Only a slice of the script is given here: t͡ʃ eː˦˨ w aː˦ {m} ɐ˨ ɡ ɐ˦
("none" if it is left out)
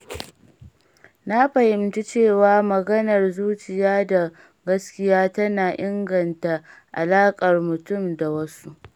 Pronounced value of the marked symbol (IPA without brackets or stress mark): m